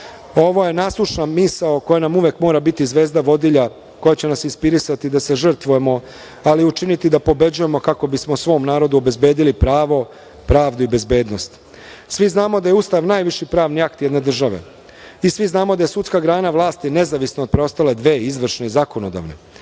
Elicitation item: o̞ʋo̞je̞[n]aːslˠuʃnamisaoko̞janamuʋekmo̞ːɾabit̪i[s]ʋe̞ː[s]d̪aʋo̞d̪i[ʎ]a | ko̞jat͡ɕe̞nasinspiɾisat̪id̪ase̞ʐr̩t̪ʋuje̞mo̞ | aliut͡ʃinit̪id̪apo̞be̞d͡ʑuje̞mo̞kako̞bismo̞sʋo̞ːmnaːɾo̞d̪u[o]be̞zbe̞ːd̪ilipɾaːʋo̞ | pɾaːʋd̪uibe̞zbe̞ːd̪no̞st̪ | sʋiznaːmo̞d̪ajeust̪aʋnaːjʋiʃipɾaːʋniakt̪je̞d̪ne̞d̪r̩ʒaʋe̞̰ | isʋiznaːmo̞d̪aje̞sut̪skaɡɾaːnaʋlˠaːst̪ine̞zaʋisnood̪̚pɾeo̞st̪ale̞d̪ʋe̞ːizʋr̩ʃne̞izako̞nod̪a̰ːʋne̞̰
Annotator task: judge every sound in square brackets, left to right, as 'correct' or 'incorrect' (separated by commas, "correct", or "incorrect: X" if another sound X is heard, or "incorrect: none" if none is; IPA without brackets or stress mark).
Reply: correct, incorrect: z, incorrect: z, correct, correct